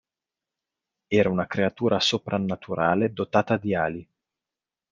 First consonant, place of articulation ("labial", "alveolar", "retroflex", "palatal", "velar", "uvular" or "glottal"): alveolar